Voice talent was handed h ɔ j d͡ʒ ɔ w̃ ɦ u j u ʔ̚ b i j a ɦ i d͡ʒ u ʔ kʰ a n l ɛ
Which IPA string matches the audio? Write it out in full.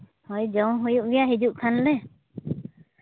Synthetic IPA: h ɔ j d͡ʒ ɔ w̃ ɦ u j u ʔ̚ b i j a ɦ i d͡ʒ u ʔ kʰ a n l ɛ